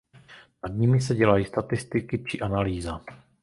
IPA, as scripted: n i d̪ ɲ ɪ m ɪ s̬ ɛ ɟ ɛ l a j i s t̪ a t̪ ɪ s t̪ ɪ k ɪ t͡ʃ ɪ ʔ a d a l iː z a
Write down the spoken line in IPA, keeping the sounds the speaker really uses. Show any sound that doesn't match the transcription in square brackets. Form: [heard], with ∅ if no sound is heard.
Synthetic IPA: n [a] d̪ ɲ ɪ m ɪ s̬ ɛ ɟ ɛ l a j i s t̪ a t̪ ɪ s t̪ ɪ k ɪ t͡ʃ ɪ ʔ a [n] a l iː z a